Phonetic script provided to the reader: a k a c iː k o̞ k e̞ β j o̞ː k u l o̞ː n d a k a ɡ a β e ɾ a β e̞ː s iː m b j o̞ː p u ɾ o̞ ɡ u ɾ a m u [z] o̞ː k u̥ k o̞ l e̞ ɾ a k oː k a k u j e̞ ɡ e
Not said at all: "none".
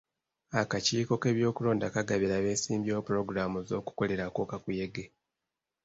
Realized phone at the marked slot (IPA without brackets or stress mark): z